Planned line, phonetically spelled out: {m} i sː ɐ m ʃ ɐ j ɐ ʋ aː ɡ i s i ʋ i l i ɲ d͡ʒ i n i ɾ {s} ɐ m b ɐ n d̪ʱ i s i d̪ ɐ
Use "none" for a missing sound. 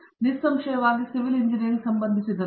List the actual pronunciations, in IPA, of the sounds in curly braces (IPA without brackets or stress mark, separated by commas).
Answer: n, s